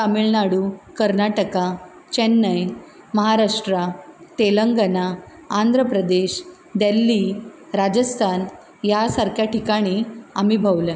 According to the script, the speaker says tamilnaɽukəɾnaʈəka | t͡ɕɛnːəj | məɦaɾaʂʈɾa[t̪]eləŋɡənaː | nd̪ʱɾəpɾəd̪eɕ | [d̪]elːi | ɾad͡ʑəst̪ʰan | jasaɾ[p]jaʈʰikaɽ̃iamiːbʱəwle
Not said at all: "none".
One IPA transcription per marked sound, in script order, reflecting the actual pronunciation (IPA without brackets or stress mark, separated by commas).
t̪, d̪, k